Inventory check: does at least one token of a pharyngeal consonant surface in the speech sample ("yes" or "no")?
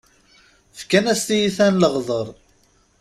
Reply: no